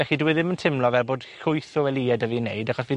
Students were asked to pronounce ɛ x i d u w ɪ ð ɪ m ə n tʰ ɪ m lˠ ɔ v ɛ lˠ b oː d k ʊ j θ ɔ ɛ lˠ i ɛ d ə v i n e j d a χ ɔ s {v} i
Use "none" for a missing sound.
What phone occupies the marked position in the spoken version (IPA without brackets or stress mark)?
v